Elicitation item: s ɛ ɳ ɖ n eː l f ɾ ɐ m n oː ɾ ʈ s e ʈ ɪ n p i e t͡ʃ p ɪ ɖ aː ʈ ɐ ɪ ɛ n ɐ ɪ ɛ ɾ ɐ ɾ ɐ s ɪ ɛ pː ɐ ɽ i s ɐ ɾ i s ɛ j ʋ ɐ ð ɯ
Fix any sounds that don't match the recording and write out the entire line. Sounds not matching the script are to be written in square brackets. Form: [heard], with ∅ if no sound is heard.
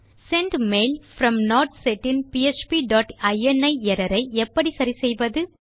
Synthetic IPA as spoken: s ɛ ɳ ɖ [m] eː l f ɾ ɐ m n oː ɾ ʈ s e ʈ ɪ n p i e t͡ʃ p [i] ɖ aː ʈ ɐ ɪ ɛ n ɐ ɪ ɛ ɾ ɐ ɾ ɐ [∅] ɪ ɛ pː ɐ ɽ i s ɐ ɾ i s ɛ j ʋ ɐ ð ɯ